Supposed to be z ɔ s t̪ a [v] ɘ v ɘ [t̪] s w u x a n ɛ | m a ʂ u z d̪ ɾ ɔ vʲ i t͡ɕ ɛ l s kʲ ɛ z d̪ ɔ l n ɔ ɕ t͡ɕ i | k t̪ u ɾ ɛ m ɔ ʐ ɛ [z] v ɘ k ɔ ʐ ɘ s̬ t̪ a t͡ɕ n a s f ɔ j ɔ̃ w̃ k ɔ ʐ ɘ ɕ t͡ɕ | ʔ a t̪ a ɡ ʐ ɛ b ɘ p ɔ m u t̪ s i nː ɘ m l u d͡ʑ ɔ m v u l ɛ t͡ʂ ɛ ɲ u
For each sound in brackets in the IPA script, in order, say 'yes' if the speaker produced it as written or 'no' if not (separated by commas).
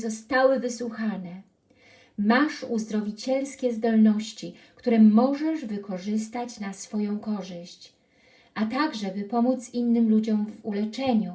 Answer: no, no, no